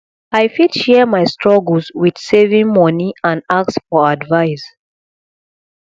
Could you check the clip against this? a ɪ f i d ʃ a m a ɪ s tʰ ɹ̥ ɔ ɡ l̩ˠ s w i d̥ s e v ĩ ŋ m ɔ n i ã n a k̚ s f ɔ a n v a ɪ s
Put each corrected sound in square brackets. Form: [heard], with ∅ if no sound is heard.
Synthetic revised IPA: a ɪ f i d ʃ [ɛ] m a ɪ s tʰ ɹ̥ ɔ ɡ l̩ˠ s w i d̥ s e v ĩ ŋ m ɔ n i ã n a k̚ s f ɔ a [d] v a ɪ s